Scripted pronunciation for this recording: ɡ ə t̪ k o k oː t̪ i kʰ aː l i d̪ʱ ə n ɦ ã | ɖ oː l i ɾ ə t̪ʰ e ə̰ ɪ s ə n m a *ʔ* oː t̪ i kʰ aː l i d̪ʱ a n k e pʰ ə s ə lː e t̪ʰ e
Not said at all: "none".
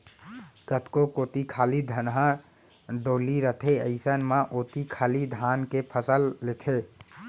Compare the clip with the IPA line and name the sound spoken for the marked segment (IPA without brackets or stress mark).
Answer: ʔ